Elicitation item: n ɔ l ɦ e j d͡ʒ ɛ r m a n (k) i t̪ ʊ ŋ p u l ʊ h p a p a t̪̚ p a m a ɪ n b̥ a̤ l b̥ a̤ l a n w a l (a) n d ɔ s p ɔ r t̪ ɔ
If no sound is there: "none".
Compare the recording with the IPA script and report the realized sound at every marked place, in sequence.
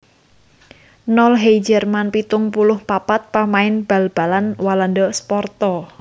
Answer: p, a

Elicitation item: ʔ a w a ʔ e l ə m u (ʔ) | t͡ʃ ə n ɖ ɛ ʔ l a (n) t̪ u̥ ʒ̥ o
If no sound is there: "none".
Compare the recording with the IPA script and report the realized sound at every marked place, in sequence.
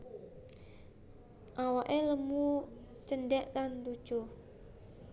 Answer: none, n

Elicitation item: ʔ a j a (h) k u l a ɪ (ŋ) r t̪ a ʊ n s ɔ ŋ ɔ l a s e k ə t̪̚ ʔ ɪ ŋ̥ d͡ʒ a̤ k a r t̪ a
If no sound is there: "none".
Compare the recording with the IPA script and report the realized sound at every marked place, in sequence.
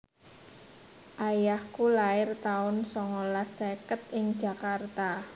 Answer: h, none

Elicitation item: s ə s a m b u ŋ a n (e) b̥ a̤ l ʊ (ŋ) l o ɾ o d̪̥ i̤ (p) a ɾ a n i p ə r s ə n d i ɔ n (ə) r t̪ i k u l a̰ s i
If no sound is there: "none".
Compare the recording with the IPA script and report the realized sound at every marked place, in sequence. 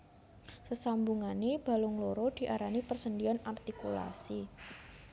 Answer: e, ŋ, ʔ, a

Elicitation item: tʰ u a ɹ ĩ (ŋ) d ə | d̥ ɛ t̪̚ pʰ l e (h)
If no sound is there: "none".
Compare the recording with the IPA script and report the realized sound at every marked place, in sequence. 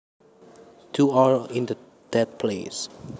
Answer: n, s

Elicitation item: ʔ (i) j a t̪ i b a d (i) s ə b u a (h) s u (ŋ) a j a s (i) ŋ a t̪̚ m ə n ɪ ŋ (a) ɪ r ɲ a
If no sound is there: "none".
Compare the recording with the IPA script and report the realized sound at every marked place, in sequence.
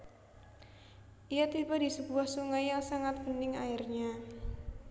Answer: i, i, h, ŋ, a, a

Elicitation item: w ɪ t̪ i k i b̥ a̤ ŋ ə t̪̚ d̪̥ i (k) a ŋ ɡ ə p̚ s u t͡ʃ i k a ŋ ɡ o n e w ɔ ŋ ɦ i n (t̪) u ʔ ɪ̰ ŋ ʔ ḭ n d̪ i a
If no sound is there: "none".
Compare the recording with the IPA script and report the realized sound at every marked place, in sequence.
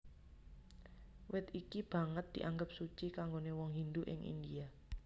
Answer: ʔ, d̪

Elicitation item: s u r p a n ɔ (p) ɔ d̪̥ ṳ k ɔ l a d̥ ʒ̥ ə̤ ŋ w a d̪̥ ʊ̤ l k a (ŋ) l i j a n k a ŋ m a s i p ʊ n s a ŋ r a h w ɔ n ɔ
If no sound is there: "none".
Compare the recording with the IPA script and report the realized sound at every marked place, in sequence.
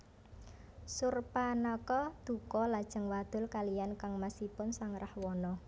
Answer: k, none

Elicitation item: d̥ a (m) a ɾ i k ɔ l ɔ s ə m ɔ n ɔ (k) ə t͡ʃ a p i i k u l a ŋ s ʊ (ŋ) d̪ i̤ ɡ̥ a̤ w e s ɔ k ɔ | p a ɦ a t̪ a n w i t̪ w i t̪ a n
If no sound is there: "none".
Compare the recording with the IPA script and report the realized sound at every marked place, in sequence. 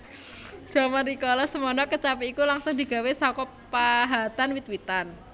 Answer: m, k, ŋ

